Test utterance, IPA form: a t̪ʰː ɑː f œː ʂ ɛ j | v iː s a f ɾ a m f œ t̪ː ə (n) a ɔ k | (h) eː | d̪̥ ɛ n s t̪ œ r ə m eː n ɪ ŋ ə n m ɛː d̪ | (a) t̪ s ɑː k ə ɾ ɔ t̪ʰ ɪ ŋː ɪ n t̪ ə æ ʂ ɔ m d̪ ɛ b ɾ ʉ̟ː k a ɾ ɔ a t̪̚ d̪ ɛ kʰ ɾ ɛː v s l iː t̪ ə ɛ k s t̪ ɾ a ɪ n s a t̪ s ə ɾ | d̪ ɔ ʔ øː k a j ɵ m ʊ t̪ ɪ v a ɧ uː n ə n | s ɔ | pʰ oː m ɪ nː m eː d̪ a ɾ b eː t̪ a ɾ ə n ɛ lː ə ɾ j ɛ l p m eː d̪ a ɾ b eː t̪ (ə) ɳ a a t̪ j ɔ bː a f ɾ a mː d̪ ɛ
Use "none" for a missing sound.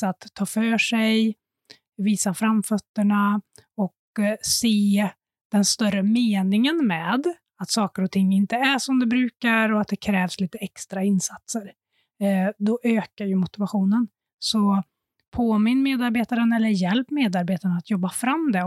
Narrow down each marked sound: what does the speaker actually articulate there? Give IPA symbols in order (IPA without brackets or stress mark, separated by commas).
ɳ, s, a, a